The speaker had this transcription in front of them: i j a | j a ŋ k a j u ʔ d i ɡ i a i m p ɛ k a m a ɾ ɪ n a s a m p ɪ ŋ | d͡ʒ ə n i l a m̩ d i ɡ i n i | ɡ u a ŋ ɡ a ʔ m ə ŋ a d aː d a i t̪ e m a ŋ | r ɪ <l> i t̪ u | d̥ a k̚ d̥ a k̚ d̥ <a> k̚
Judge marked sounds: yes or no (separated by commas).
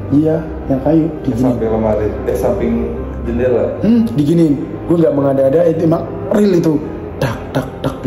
yes, yes